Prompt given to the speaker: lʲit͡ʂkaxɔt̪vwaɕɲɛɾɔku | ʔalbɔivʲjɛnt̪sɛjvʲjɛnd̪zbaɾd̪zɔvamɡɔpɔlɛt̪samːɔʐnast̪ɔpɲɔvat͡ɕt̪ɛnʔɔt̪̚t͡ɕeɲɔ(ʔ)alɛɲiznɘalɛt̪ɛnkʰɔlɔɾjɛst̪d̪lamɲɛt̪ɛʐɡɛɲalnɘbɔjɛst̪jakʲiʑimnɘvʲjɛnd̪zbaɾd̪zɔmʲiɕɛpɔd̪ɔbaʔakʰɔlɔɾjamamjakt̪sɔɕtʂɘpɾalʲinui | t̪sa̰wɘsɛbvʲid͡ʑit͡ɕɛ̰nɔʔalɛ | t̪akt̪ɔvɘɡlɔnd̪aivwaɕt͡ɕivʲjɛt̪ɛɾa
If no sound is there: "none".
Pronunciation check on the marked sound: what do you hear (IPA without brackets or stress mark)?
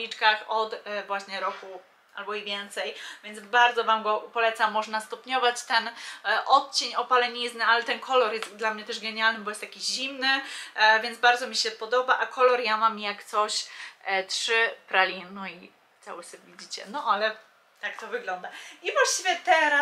p